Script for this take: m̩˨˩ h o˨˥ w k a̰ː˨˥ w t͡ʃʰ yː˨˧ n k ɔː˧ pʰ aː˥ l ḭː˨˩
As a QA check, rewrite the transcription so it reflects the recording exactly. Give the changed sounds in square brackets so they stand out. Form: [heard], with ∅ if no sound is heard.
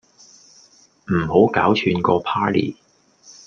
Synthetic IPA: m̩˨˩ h o˨˥ w k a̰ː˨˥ w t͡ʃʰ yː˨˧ n k ɔː˧ pʰ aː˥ l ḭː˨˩

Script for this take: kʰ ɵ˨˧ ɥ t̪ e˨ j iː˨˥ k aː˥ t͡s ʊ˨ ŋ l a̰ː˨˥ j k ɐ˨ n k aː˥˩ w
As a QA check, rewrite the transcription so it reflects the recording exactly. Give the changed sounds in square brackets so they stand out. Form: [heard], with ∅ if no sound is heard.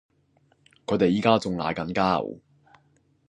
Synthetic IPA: kʰ ɵ˨˧ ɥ t̪ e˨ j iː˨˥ k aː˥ t͡s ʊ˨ ŋ l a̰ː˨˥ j k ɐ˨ n k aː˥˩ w

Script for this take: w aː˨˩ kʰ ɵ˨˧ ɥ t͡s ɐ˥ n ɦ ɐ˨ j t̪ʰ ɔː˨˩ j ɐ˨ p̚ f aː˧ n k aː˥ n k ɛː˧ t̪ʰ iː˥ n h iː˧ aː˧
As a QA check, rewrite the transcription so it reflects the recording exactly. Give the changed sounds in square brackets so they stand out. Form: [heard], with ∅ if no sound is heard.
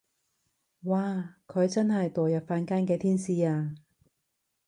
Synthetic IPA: w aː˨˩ kʰ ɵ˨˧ ɥ t͡s ɐ˥ n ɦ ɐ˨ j [t̪] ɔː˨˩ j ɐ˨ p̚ f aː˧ n k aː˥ n k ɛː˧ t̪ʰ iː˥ n [s] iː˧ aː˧

